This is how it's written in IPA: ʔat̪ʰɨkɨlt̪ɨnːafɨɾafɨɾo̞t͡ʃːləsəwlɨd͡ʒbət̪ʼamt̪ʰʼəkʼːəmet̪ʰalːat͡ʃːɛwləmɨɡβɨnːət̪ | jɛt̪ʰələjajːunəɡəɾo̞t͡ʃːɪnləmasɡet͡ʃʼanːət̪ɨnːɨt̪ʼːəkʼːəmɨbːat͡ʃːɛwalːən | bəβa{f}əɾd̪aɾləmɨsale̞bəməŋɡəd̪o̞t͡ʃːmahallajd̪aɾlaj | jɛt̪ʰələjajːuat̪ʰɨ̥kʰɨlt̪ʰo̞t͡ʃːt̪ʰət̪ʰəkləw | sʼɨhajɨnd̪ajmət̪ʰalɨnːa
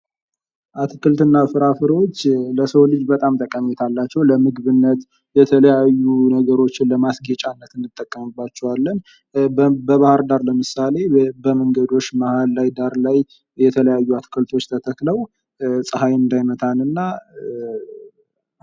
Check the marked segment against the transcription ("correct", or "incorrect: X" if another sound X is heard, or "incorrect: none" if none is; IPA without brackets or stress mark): incorrect: h